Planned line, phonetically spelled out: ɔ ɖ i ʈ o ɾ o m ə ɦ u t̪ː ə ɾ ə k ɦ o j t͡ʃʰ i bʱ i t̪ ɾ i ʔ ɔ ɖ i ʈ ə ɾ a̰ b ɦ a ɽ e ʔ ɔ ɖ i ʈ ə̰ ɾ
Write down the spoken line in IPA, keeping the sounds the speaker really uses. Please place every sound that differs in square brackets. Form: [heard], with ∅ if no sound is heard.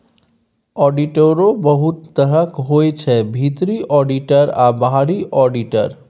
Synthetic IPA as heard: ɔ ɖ i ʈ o ɾ o [b] ə ɦ u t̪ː ə ɾ ə k ɦ o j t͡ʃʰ [ɛ] bʱ i t̪ ɾ i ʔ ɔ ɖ i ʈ ə ɾ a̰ b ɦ a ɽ [i] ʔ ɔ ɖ i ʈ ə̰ ɾ